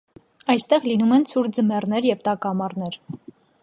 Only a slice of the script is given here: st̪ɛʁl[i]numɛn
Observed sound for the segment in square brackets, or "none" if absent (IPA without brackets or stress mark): i